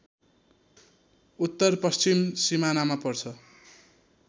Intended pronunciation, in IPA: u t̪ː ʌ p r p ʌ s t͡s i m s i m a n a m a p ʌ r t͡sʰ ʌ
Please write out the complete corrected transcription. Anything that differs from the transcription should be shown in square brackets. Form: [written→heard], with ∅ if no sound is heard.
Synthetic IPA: u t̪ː ʌ [p→∅] r p ʌ s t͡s i m s i m a n a m a p ʌ r t͡sʰ ʌ